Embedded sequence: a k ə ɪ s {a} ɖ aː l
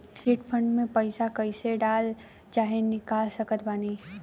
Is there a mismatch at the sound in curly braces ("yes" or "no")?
yes